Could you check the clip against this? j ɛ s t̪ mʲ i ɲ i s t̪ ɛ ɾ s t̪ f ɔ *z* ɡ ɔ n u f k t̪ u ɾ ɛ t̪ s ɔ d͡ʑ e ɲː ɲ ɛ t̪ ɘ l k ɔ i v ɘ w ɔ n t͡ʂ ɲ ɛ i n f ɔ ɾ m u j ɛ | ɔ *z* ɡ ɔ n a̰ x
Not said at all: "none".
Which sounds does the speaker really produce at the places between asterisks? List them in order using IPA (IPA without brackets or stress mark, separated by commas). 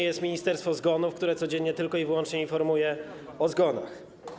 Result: z, z